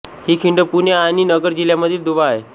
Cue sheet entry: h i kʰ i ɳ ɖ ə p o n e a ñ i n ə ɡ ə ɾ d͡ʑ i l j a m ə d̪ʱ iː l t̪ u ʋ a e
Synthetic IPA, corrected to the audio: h i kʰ i ɳ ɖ ə p u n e a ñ i n ə ɡ ə ɾ d͡ʑ i l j a m ə d̪ʱ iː l d̪ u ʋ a e